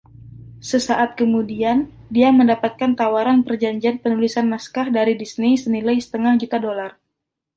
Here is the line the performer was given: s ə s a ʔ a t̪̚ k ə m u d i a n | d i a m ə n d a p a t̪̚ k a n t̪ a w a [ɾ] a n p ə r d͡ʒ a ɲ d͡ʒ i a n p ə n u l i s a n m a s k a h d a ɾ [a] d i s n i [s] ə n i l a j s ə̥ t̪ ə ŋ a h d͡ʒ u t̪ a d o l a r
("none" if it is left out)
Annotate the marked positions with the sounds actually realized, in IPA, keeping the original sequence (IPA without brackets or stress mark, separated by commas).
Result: ɾ, i, s